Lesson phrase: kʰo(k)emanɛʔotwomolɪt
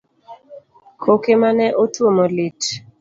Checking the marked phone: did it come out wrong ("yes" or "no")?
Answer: no